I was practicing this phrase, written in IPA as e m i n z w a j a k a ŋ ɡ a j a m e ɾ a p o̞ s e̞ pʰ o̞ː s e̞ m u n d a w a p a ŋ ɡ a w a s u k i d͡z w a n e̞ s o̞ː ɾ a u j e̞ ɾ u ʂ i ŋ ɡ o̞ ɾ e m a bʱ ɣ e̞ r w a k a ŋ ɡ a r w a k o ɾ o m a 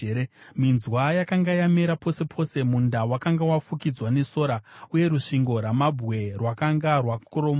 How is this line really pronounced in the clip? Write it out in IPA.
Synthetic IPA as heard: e m i n z w a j a k a ŋ ɡ a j a m e ɾ a p o̞ s e̞ pʰ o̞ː s e̞ m u n d a w a k a ŋ ɡ a w a f u k i d͡z w a n e̞ s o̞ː ɾ a u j e̞ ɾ u ʂ i ŋ ɡ o̞ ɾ a m a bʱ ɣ e̞ r w a k a ŋ ɡ a r w a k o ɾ o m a